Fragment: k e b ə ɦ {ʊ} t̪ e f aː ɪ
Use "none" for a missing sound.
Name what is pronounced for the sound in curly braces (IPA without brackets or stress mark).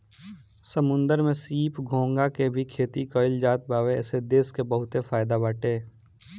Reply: ʊ